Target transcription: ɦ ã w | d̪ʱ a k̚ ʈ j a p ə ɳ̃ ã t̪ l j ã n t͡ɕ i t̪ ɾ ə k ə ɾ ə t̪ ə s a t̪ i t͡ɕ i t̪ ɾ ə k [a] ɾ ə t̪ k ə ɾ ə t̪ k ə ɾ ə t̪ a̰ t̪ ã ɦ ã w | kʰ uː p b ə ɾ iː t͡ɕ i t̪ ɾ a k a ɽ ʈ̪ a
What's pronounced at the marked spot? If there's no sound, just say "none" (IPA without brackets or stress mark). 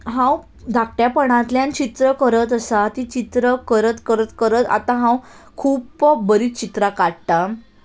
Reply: ə